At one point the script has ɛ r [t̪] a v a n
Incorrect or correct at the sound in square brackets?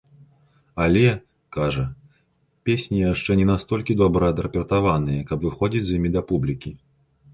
correct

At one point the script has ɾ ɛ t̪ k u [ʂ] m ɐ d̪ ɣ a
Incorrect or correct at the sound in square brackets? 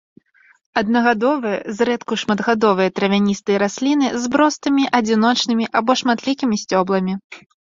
correct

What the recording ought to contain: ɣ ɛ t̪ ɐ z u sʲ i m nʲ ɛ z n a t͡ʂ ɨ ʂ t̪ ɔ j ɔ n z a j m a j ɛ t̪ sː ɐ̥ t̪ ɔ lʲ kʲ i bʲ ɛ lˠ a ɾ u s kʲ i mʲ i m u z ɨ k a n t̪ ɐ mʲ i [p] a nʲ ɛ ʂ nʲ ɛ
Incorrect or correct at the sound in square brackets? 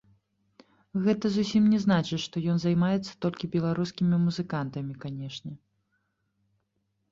incorrect: k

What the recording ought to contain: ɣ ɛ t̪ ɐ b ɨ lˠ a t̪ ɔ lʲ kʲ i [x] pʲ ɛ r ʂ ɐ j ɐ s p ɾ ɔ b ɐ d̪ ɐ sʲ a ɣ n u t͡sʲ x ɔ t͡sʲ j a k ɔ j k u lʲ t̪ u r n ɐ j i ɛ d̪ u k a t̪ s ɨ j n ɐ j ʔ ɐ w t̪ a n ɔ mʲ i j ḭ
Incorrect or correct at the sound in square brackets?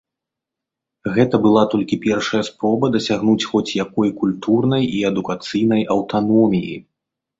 incorrect: none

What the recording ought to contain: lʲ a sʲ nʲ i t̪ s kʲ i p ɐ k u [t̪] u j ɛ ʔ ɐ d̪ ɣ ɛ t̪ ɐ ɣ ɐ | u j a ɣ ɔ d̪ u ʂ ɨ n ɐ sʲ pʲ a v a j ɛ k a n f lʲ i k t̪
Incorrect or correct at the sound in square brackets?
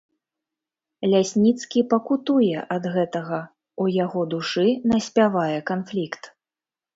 correct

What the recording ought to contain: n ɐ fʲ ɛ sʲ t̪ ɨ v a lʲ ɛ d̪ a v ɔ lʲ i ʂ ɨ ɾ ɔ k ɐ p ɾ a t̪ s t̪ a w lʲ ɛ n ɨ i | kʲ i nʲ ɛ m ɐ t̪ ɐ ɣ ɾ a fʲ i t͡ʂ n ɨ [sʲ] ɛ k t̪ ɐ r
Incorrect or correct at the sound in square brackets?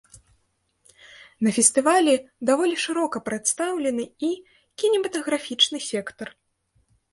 correct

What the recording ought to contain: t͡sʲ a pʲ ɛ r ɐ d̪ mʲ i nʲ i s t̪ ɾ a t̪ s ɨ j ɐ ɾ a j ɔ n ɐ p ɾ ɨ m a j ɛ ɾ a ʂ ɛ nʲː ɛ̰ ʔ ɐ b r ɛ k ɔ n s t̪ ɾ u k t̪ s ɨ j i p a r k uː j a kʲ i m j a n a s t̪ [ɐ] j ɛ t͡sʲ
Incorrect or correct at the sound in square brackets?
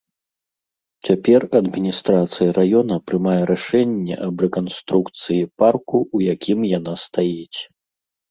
incorrect: a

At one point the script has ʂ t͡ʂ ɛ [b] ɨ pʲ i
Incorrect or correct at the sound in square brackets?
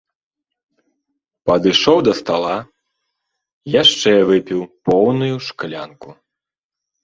incorrect: v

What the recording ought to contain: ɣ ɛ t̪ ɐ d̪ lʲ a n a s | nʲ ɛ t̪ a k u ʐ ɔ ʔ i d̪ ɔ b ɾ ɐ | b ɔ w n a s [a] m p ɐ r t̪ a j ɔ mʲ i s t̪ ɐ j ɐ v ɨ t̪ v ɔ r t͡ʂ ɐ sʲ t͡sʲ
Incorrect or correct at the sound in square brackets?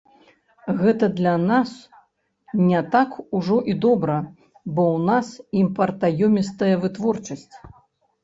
incorrect: i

